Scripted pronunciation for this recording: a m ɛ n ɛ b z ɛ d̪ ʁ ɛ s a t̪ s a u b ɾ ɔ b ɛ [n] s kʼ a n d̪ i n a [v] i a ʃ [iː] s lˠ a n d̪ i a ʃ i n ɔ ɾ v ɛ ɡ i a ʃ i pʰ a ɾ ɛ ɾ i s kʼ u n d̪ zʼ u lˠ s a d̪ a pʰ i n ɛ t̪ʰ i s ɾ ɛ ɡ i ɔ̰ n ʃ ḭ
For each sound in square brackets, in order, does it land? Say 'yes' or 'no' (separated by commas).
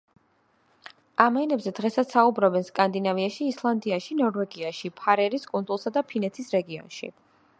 yes, yes, yes